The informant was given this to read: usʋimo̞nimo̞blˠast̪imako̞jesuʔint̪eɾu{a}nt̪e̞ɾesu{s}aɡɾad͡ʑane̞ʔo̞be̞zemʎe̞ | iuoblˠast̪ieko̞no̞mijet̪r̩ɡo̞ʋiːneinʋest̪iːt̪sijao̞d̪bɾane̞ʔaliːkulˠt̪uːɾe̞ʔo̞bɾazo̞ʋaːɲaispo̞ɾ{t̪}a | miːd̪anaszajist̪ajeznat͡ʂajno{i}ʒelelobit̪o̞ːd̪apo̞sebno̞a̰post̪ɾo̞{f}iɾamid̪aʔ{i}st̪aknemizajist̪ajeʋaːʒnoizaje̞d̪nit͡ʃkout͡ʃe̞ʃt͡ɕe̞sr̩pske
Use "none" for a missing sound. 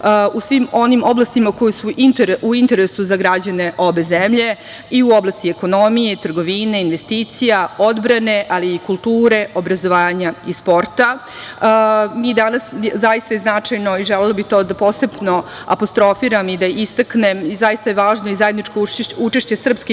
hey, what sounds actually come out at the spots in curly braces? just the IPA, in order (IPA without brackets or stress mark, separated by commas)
i, z, t̪, i, f, i